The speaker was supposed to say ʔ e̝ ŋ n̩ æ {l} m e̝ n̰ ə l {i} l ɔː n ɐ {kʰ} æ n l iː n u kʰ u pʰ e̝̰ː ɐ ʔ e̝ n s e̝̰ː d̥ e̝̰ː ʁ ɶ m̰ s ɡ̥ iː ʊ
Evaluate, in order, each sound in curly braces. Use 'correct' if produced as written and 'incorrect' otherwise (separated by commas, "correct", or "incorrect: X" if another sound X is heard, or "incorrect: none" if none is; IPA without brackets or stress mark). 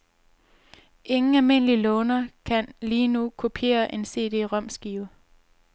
correct, correct, correct